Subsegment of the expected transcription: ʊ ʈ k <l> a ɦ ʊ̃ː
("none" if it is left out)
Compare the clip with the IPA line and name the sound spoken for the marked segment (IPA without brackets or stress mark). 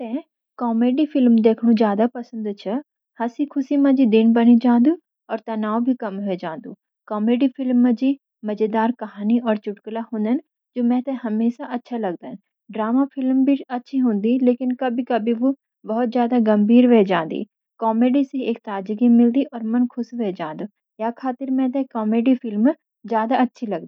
l